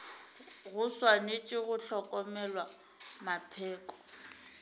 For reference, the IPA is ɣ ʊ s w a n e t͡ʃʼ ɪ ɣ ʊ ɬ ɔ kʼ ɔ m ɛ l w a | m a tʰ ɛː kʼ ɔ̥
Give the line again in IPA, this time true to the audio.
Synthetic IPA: ɣ ʊ s w a n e t͡ʃʼ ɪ ɣ ʊ ɬ ɔ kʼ ɔ m ɛ l w a | m a pʰ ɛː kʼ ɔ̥